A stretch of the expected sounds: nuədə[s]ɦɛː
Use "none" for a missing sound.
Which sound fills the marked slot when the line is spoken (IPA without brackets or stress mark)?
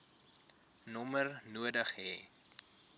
χ